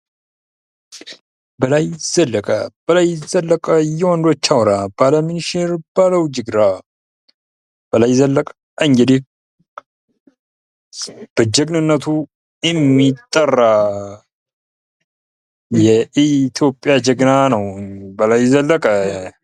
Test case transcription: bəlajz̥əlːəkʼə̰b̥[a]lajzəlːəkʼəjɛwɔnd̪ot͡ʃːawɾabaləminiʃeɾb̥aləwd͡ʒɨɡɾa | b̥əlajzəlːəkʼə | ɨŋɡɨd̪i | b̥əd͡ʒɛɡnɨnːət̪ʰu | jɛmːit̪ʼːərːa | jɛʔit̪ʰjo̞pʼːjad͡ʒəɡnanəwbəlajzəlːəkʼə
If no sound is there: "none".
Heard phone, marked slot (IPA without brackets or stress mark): ə